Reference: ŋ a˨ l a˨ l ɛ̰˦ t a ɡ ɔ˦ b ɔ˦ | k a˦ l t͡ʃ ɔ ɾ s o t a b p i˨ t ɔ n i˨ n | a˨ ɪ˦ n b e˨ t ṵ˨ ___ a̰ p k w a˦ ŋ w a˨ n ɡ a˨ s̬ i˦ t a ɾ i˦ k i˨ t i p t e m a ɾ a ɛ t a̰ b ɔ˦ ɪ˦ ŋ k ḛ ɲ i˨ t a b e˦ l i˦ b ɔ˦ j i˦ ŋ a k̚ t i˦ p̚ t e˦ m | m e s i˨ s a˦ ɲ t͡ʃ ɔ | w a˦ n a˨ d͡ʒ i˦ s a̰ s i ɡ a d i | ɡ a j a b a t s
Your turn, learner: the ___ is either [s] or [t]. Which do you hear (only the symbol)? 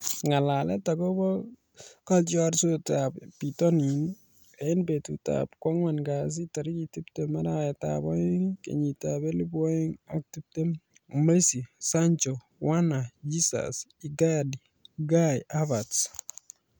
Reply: t